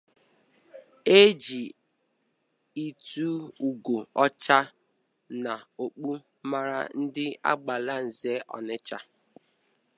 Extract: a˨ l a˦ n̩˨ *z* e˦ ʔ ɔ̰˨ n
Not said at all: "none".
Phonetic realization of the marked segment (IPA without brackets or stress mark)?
z